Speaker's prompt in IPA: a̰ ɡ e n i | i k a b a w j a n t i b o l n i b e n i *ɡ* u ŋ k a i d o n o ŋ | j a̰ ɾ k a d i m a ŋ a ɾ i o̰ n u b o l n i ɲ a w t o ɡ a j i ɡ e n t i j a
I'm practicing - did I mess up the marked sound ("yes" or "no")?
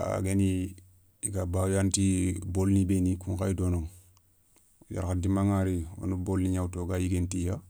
yes